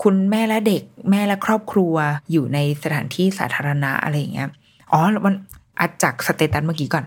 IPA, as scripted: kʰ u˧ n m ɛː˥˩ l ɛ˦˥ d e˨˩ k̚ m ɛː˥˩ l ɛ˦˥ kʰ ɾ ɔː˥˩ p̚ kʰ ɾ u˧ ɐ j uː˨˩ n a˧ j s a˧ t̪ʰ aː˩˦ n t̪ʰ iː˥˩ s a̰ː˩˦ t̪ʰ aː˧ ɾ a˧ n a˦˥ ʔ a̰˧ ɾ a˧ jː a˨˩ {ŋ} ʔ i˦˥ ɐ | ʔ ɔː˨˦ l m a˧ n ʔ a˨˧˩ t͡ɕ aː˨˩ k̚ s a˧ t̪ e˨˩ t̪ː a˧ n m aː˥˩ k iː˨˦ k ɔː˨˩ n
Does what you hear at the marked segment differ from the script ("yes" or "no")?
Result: no